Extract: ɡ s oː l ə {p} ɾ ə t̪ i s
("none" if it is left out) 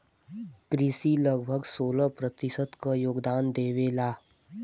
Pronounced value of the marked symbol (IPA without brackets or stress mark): p